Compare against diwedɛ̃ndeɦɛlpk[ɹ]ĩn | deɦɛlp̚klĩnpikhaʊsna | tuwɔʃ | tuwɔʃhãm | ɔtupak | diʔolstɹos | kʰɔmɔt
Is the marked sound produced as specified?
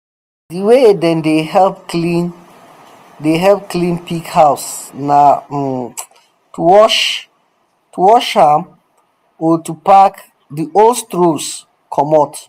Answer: no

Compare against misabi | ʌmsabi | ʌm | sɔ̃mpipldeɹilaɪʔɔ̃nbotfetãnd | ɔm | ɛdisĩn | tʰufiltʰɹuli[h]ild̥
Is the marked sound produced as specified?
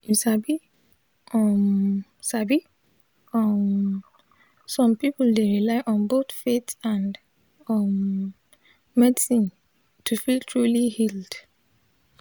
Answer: yes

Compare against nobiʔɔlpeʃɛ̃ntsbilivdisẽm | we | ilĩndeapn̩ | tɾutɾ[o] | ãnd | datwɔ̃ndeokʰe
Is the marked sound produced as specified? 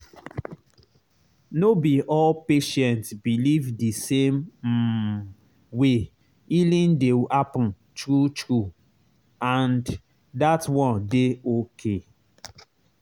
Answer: no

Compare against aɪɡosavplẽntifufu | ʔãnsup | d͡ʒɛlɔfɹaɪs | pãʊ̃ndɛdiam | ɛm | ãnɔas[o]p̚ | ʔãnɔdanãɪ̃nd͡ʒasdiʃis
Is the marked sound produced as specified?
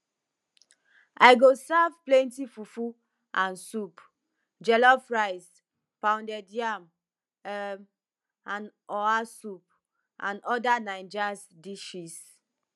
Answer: no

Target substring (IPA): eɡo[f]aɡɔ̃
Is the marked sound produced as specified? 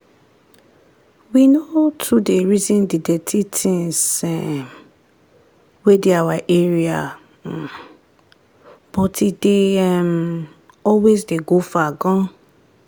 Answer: yes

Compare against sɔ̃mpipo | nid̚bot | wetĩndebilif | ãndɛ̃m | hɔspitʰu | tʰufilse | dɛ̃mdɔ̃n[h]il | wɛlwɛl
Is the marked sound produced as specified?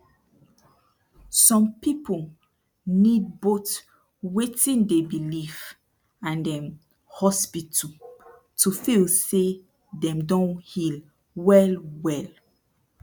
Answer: yes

